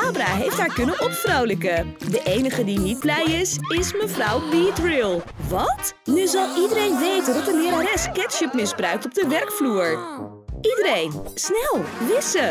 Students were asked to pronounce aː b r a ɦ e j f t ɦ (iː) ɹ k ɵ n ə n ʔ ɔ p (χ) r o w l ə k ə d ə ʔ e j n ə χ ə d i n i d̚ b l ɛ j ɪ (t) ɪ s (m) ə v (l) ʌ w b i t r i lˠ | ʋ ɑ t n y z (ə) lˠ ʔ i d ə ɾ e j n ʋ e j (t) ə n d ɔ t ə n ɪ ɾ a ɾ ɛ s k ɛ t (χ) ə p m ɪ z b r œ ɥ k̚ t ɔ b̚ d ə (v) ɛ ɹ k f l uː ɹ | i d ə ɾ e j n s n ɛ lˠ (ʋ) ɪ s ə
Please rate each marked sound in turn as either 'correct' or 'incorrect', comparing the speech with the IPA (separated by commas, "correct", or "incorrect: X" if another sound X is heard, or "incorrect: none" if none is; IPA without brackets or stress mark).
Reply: incorrect: aː, incorrect: f, incorrect: s, correct, incorrect: r, incorrect: ɑ, correct, incorrect: ʃ, incorrect: ʋ, correct